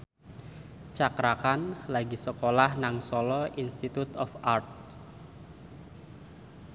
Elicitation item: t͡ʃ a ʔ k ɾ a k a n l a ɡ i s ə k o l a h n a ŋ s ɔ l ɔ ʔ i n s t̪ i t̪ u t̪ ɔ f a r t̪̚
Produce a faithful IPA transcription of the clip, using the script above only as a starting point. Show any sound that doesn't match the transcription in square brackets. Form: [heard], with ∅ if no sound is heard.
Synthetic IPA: t͡ʃ a [∅] k ɾ a k a n l a ɡ i s ə k o l a h n a ŋ s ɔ l ɔ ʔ i n s t̪ i t̪ u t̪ ɔ f a r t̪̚

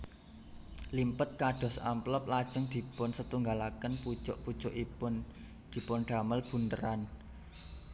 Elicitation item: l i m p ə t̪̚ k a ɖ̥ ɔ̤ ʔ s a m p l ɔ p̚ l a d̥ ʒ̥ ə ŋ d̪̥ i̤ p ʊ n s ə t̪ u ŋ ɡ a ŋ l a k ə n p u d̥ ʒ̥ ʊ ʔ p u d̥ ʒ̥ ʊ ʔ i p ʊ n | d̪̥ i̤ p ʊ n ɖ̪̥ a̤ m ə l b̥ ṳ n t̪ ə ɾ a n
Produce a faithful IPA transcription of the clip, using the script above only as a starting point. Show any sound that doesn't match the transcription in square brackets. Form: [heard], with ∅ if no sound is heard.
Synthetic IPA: l i m p ə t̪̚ k a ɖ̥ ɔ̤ [∅] s a m p l ɔ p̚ l a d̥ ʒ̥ ə ŋ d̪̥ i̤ p ʊ n s ə t̪ u ŋ ɡ a [∅] l a k ə n p u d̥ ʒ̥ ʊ ʔ p u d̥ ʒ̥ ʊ ʔ i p ʊ n | d̪̥ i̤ p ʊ n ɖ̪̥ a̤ m ə l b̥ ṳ n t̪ ə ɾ a n

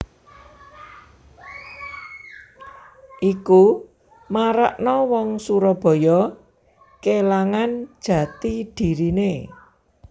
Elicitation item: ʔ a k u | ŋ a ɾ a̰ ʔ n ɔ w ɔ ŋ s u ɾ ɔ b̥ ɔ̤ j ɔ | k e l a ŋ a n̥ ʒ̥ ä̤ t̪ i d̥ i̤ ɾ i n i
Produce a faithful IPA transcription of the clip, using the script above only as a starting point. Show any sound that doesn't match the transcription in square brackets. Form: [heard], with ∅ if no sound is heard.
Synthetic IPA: ʔ [i] k u | [m] a ɾ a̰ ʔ n ɔ w ɔ ŋ s u ɾ ɔ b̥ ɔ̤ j ɔ | k e l a ŋ a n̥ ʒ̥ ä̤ t̪ i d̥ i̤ ɾ i n [e]

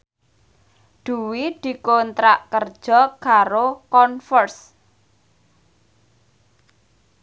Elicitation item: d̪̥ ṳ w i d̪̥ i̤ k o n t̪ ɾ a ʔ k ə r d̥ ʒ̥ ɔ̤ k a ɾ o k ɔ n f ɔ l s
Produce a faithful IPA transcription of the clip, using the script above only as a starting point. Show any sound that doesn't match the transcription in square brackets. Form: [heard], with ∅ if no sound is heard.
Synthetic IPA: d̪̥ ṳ w i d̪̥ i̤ k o n t̪ ɾ a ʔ k ə r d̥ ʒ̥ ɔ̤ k a ɾ o k ɔ n f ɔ [r] s

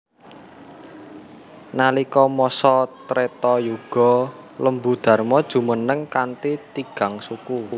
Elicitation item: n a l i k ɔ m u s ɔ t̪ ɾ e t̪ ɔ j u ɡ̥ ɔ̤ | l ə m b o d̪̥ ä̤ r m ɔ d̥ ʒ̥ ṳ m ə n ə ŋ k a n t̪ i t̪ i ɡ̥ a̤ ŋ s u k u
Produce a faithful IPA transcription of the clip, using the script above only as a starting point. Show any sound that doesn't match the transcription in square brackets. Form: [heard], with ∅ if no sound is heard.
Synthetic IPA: n a l i k ɔ m [ɔ] s ɔ t̪ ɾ e t̪ ɔ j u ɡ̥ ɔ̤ | l ə m b [u] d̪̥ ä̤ r m ɔ d̥ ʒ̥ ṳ m ə n ə ŋ k a n t̪ i t̪ i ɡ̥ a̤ ŋ s u k u

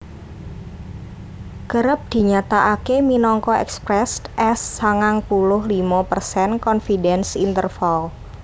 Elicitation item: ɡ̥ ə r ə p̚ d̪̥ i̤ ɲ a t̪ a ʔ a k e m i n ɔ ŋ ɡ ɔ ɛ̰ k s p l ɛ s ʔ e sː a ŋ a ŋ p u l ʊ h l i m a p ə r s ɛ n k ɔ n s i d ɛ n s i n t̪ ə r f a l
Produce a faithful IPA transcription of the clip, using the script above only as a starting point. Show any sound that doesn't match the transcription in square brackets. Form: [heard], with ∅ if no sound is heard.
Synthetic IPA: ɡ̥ ə [ɾ] ə p̚ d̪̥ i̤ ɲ a t̪ a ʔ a k e m i n ɔ ŋ [k] ɔ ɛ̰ k s p [ɾ] ɛ s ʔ [ɛ] sː a ŋ a ŋ p u l ʊ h l i m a p ə r s ɛ n k ɔ n [f] i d ɛ n s i n t̪ ə r f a l

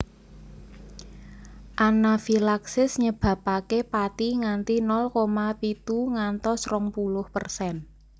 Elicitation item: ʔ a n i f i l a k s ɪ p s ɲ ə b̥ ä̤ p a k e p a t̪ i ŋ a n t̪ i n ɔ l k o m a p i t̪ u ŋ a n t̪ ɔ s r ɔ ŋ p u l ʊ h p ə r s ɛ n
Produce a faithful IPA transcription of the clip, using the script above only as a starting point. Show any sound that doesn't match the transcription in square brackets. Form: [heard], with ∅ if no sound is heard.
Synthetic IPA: ʔ a n [a] f i l a k s ɪ [∅] s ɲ ə b̥ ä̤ p a k e p a t̪ i ŋ a n t̪ i n ɔ l k o m a p i t̪ u ŋ a n t̪ ɔ s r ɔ ŋ p u l ʊ h p ə r s ɛ n

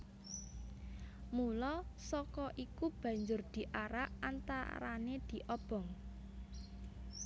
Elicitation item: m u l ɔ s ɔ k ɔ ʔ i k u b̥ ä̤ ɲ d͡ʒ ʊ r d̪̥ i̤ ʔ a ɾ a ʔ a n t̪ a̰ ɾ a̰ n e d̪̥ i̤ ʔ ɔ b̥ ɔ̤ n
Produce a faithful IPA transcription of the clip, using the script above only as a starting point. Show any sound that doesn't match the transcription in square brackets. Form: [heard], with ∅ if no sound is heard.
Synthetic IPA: m u l ɔ s ɔ k ɔ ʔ i k u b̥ ä̤ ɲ d͡ʒ ʊ r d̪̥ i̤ ʔ a ɾ a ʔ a n t̪ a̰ ɾ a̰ n e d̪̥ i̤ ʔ ɔ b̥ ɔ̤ [ŋ]

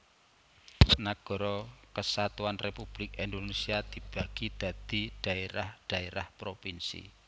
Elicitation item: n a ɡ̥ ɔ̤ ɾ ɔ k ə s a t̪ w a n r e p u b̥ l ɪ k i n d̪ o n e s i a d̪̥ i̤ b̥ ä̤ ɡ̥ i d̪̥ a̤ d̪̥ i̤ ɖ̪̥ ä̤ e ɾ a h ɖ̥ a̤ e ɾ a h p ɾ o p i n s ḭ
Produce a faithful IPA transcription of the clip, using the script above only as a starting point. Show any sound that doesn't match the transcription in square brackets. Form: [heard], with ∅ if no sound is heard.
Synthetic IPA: n a ɡ̥ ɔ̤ ɾ ɔ k ə s a t̪ [u] a n r e p u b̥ l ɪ k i n d̪ o n e s i a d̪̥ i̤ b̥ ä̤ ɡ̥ i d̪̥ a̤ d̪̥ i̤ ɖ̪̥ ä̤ e ɾ a h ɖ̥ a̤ e ɾ a h p ɾ o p i n s ḭ

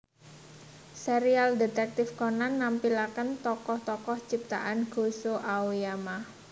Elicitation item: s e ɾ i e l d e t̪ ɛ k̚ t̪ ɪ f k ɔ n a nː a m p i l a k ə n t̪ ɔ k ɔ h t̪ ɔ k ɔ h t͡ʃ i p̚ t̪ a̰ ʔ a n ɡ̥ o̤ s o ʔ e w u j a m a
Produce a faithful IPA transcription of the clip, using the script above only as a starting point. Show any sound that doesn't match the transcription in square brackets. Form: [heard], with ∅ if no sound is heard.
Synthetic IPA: s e ɾ i [a] l d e t̪ ɛ k̚ t̪ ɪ f k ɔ n a nː a m p i l a k ə n t̪ ɔ k ɔ h t̪ ɔ k ɔ h t͡ʃ i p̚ t̪ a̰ ʔ a n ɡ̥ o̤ s o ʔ [a] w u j a m a

